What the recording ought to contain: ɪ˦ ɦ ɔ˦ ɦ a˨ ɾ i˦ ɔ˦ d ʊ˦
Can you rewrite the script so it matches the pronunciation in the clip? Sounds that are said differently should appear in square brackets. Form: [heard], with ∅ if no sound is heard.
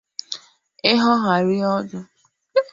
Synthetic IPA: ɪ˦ ɦ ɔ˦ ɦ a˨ ɾ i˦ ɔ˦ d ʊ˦